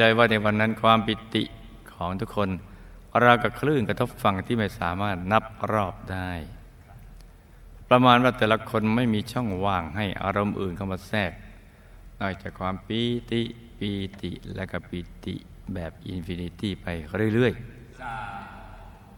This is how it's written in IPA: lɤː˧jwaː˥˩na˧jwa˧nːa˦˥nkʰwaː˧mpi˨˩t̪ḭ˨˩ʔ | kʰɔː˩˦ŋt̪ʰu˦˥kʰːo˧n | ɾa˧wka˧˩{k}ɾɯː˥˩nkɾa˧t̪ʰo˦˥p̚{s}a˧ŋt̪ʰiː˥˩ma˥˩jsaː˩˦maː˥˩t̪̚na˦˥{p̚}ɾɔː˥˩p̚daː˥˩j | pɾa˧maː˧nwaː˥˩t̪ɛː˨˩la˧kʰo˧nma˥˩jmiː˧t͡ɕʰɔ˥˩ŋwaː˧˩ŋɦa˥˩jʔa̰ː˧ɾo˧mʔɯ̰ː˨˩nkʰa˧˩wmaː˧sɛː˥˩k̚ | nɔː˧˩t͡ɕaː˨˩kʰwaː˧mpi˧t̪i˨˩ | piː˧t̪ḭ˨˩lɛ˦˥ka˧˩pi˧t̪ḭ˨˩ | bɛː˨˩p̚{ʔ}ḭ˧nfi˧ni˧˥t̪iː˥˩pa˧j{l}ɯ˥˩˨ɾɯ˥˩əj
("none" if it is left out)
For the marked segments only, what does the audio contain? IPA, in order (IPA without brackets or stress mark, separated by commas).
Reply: kʰ, f, p̚, ʔ, ɾ